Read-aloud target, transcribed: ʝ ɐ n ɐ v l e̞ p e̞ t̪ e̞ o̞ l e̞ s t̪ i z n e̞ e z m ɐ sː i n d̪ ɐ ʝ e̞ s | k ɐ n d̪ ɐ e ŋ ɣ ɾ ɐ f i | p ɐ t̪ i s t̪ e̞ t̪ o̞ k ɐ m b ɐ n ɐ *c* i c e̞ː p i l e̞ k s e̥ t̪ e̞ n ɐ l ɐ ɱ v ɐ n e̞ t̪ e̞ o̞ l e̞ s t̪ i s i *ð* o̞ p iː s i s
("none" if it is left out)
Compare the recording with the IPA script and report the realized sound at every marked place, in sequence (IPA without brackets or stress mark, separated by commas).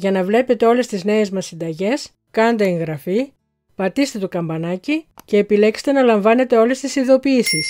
c, ð